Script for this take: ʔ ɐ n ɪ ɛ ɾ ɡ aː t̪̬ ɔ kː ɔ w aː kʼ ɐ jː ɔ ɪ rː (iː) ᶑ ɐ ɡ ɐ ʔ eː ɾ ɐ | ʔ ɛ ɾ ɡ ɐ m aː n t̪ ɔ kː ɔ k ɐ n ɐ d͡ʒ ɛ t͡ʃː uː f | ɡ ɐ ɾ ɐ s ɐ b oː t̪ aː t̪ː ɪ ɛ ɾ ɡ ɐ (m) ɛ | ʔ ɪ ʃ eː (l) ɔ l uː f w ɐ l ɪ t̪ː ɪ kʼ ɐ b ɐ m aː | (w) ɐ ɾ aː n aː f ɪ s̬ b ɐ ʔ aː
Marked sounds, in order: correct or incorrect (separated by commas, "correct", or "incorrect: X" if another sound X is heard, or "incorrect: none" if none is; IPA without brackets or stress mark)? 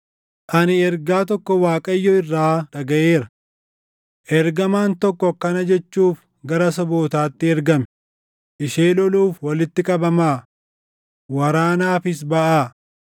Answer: incorrect: aː, correct, correct, correct